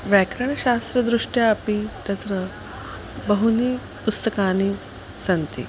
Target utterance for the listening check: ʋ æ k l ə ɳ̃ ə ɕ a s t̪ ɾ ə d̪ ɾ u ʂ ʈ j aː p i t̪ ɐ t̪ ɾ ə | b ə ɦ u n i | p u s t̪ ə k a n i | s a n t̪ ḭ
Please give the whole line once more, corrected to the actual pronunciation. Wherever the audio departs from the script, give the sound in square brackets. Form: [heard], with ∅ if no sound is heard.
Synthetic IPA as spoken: ʋ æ k [ɾ] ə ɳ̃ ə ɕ a s t̪ ɾ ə d̪ ɾ u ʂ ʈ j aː p i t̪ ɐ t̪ ɾ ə | b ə ɦ u n i | p u s t̪ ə k a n i | s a n t̪ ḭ